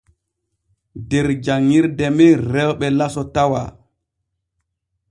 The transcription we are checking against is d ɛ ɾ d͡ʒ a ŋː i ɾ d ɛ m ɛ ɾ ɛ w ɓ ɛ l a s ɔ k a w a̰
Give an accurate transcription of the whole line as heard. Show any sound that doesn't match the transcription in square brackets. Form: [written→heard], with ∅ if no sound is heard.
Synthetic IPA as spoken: d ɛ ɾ d͡ʒ a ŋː i ɾ d ɛ m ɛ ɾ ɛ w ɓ ɛ l a s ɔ [k→t] a w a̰